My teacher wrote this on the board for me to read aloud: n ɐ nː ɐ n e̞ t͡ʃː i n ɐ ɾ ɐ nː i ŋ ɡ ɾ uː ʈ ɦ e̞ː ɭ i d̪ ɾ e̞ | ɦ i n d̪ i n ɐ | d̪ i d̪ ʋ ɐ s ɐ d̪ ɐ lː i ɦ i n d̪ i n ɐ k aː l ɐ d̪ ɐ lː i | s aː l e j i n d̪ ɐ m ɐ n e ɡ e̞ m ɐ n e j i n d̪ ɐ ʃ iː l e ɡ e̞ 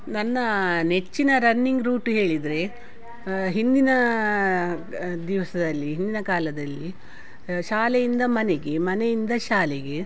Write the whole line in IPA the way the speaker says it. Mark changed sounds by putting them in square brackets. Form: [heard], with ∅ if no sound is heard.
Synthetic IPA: n ɐ nː ɐ n e̞ t͡ʃː i n ɐ ɾ ɐ nː i ŋ ɡ ɾ uː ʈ ɦ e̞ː ɭ i d̪ ɾ e̞ | ɦ i n d̪ i n ɐ | d̪ i [∅] ʋ ɐ s ɐ d̪ ɐ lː i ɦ i n d̪ i n ɐ k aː l ɐ d̪ ɐ lː i | [ʃ] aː l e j i n d̪ ɐ m ɐ n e ɡ e̞ m ɐ n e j i n d̪ ɐ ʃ [aː] l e ɡ e̞